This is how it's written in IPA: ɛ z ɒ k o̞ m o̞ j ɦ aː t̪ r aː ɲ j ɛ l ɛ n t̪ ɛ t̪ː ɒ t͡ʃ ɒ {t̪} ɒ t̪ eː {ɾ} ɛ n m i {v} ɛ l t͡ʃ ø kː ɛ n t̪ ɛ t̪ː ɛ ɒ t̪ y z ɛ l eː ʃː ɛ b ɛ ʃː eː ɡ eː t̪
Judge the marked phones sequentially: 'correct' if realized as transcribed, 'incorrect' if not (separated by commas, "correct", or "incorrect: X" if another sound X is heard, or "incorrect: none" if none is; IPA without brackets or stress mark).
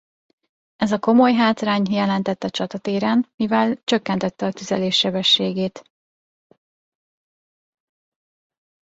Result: correct, correct, correct